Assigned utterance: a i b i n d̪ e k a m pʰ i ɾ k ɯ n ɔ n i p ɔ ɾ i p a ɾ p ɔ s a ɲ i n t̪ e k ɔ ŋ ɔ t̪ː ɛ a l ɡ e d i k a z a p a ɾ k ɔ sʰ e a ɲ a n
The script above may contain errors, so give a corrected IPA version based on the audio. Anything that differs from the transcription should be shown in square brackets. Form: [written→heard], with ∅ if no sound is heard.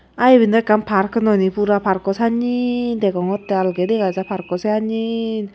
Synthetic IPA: a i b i n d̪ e k a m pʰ [i→a] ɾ k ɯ n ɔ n i p [ɔ→u] ɾ [i→a] p a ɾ [p→k] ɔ s a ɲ i n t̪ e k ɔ ŋ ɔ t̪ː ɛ a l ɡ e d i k a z a p a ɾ k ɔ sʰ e a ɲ [a→i] n